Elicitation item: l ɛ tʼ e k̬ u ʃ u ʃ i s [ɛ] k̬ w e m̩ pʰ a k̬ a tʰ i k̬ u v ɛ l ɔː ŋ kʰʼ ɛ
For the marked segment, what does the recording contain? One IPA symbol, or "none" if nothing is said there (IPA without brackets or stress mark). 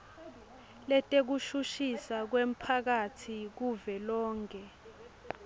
a